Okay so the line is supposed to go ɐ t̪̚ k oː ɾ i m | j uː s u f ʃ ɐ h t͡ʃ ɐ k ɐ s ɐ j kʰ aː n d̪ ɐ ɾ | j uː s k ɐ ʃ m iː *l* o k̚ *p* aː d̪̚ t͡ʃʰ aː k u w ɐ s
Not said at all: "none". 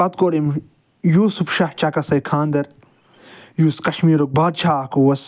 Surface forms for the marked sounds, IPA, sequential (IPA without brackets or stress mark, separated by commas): ɾ, b